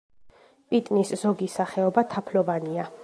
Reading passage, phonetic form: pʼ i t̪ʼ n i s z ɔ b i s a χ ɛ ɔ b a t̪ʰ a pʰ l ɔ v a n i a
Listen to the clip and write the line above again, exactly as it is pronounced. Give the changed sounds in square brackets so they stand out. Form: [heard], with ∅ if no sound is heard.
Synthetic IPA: pʼ i t̪ʼ n i s z ɔ [ɡ] i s a χ ɛ ɔ b a t̪ʰ a pʰ l ɔ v a n i a